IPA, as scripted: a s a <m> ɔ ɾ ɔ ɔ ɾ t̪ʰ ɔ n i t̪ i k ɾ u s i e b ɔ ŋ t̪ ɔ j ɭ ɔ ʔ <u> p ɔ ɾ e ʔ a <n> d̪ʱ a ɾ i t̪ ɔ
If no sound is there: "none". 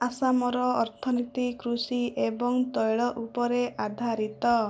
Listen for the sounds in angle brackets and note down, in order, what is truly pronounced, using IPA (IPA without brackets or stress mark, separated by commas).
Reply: m, u, none